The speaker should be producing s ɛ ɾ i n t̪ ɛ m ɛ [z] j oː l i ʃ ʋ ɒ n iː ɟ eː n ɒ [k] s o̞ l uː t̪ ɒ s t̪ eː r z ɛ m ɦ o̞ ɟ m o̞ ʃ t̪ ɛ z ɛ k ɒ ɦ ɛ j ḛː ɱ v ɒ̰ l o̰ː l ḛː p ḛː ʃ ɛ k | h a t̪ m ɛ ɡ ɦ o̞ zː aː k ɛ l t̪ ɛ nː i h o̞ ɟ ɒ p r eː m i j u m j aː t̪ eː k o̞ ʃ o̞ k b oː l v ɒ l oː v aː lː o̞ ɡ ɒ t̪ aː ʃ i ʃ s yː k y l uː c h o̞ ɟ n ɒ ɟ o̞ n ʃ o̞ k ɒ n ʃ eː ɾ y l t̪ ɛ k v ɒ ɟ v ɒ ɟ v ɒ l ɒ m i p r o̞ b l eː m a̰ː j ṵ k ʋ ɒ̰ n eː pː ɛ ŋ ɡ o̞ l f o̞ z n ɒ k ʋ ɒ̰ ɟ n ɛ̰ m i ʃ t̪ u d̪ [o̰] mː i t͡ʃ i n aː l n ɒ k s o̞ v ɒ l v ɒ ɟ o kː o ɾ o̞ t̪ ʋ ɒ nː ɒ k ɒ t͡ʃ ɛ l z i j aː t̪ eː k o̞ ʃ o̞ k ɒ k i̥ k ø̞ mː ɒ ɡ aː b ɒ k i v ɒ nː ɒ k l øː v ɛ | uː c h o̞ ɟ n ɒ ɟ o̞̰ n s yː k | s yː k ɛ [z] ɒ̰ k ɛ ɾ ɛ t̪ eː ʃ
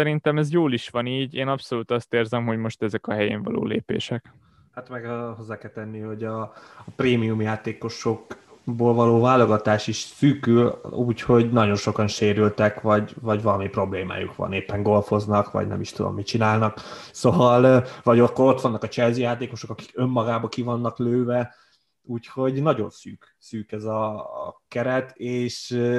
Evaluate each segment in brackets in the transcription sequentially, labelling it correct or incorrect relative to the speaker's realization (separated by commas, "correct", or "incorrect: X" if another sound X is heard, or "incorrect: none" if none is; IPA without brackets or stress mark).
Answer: correct, incorrect: p, correct, correct